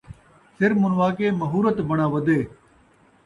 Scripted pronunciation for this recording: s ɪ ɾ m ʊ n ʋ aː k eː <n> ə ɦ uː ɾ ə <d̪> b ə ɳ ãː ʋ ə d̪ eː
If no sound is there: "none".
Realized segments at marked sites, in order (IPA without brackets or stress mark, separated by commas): m, t̪